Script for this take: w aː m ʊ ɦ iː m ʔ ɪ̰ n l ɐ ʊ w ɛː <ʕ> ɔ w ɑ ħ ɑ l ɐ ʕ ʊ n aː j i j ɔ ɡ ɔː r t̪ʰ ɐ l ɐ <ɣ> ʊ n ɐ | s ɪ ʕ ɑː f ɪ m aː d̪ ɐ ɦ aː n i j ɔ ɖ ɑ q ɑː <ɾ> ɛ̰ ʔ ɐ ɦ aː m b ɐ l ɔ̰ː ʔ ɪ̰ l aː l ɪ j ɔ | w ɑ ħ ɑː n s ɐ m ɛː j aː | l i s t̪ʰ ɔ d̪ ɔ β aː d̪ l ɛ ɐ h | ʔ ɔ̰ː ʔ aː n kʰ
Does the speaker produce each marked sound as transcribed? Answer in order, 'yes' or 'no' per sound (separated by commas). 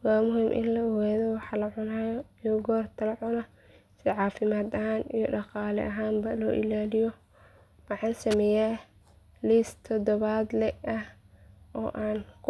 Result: no, no, no